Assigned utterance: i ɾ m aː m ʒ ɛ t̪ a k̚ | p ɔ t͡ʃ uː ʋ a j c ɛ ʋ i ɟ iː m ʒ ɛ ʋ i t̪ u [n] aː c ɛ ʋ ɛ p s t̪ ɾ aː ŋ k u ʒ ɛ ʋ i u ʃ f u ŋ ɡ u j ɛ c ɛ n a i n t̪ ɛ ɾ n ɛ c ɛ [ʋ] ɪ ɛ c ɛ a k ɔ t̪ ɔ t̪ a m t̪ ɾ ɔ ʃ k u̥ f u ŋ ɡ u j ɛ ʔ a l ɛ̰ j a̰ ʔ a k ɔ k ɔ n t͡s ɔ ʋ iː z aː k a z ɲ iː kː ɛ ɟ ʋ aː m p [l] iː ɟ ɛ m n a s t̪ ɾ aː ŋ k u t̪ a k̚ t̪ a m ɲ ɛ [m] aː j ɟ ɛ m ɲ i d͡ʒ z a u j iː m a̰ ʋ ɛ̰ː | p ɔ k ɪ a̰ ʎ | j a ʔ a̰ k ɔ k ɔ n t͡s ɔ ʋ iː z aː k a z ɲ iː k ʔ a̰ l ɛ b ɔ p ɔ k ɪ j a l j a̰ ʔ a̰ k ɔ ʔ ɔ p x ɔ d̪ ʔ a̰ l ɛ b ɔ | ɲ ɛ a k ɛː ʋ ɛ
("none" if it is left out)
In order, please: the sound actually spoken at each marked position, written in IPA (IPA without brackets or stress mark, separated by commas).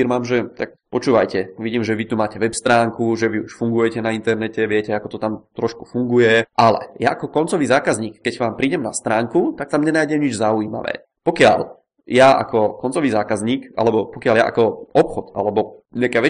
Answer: m, ʋ, ɾ, n